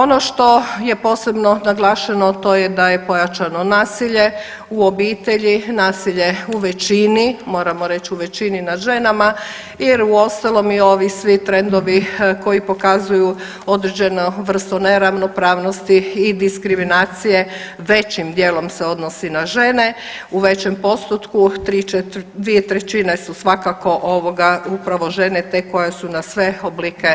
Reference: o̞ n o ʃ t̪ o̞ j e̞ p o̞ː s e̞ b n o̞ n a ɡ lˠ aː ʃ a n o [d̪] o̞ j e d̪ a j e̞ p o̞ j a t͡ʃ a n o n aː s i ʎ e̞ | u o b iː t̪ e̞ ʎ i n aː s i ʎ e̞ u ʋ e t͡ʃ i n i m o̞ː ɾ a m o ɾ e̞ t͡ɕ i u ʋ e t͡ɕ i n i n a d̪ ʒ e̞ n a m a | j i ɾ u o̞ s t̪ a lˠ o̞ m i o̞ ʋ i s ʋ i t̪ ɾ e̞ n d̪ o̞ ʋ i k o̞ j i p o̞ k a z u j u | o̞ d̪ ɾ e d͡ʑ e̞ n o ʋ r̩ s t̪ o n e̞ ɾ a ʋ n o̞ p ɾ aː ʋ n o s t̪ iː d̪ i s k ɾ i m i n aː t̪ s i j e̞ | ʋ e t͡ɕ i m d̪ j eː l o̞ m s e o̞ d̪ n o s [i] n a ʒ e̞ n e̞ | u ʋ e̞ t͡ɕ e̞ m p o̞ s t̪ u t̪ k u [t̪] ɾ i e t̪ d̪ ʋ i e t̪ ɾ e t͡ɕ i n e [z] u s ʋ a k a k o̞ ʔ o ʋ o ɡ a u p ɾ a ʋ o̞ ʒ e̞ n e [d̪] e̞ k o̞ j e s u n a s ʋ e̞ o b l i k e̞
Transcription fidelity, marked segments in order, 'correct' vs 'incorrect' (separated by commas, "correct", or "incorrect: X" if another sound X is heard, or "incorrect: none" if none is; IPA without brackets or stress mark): incorrect: t̪, correct, correct, incorrect: s, incorrect: t̪